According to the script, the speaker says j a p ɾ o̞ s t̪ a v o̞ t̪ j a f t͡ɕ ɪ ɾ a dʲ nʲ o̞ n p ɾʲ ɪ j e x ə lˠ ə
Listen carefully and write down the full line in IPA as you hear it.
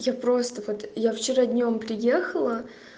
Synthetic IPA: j a p ɾ o̞ s t̪ ə v o̞ t̪ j a f t͡ɕ ɪ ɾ a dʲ nʲ o̞ m p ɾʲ ɪ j e x ə lˠ ə